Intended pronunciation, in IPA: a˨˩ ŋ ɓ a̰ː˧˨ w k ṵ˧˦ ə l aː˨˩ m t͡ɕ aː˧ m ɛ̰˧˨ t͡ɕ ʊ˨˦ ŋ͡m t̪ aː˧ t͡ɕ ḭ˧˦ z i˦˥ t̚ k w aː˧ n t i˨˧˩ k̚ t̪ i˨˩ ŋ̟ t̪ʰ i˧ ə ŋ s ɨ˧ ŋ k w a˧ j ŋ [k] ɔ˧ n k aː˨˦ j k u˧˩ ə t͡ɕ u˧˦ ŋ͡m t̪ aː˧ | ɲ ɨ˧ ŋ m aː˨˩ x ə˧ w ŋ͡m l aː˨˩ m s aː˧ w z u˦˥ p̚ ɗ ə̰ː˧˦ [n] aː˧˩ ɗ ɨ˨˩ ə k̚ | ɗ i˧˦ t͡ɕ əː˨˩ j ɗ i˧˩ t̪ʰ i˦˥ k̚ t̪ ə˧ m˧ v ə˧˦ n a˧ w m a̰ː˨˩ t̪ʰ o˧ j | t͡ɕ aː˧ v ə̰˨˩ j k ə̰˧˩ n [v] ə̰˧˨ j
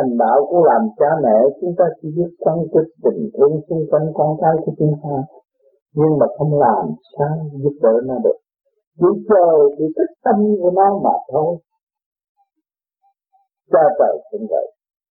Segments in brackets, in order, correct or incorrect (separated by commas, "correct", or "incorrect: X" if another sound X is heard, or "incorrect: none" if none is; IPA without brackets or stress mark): correct, correct, correct